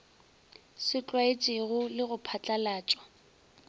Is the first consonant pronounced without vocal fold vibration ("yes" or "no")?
yes